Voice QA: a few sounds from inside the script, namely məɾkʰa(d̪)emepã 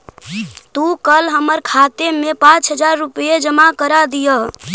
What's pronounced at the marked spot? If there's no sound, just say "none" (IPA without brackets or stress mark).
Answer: t̪